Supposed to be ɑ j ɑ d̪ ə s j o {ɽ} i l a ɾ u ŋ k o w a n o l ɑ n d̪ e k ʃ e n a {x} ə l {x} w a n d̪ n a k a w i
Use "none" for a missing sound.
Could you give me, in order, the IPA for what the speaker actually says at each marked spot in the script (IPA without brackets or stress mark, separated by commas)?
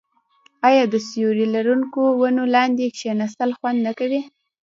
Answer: ɾ, s, x